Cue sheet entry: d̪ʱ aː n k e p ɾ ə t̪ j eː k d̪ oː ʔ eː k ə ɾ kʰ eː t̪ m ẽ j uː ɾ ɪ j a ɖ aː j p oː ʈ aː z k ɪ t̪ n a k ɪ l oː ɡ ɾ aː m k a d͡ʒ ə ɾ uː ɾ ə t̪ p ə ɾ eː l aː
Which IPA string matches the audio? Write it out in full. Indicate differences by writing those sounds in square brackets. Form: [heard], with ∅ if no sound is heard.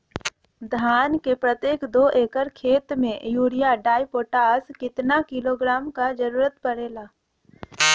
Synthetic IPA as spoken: d̪ʱ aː n k e p ɾ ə t̪ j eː k d̪ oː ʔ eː k ə ɾ kʰ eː t̪ m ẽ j uː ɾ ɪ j a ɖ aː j p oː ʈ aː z k ɪ t̪ n a k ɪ l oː ɡ ɾ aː m k a d͡ʒ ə ɾ uː ɾ ə t̪ p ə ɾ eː l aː